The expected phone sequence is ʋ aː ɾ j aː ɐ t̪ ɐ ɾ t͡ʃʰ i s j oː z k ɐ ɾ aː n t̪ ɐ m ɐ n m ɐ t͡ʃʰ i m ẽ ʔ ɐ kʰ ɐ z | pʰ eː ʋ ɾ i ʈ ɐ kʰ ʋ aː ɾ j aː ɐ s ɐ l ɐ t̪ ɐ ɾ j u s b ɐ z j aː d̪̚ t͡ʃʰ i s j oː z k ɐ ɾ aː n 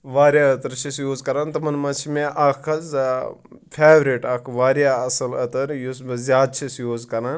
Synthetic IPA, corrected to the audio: ʋ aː ɾ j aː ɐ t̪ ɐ ɾ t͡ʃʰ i s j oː z k ɐ ɾ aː n t̪ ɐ m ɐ n m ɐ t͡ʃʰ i m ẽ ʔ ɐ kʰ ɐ z | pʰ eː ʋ ɾ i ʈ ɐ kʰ ʋ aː ɾ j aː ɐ s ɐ l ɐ t̪ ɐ ɾ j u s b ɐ z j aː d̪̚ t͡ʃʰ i s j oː z k ɐ ɾ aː n